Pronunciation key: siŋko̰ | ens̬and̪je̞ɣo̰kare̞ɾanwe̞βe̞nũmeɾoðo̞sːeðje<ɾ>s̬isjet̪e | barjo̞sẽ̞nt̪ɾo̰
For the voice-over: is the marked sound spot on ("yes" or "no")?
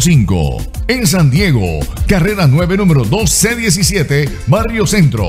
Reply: no